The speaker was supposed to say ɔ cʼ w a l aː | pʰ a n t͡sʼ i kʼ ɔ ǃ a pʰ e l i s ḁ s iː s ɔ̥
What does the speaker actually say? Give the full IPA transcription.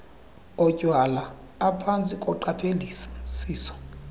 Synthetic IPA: ɔ cʼ w a l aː | pʰ a n t͡sʼ i kʼ ɔ ǃ a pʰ e l i s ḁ s iː s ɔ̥